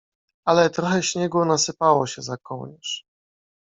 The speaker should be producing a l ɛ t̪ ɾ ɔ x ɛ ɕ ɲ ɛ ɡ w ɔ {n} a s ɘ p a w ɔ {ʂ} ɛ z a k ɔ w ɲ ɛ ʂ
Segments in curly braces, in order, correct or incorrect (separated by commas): correct, incorrect